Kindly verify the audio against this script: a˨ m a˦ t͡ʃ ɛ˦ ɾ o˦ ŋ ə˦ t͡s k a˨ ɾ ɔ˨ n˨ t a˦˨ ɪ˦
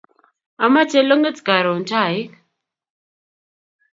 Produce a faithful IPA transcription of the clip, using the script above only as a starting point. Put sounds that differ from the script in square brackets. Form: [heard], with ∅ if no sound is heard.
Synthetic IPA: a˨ m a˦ t͡ʃ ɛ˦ [l] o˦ ŋ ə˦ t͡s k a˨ ɾ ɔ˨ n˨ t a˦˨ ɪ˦